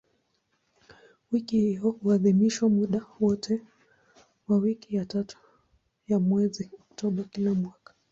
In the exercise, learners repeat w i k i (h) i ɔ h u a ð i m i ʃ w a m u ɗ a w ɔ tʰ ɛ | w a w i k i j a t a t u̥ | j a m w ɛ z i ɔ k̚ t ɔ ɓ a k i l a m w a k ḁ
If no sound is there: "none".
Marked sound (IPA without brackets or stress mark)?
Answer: h